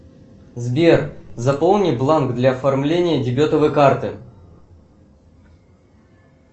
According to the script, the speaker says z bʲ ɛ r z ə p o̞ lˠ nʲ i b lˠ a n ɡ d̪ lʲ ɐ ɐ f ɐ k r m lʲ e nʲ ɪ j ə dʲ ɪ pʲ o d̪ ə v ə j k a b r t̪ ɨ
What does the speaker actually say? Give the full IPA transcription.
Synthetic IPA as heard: z bʲ e r z ɐ p o̞ lˠ nʲ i b lˠ a n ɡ d̪ lʲ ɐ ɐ f ɐ r m lʲ e nʲ ɪ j ə dʲ ɪ bʲ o t̪ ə v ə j k a r t̪ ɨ